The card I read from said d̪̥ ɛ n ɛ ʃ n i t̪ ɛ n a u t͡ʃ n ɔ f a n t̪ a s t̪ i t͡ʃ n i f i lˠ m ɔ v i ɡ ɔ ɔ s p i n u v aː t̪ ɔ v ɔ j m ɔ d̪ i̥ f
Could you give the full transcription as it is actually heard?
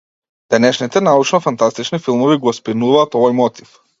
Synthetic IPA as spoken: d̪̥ ɛ n ɛ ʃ n i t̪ ɛ n a u t͡ʃ n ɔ f a n t̪ a s t̪ i t͡ʃ n i f i lˠ m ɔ v i ɡ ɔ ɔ s p i n u v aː t̪ ɔ v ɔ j m ɔ t̪ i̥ f